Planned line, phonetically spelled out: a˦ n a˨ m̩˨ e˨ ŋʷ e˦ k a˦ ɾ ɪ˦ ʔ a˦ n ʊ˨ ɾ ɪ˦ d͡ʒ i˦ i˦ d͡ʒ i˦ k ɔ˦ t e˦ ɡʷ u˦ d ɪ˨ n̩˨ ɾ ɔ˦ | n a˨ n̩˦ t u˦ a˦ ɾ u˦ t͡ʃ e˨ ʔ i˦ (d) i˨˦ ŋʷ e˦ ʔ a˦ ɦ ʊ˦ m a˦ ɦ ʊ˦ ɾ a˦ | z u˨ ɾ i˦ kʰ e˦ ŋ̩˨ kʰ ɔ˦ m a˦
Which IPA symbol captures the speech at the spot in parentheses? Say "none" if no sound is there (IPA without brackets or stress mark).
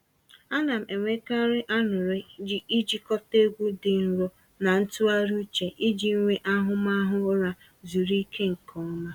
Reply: d͡ʒ